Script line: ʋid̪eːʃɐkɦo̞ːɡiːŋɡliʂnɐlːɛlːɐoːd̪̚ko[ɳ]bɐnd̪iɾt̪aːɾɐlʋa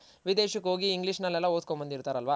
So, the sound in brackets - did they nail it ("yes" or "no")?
no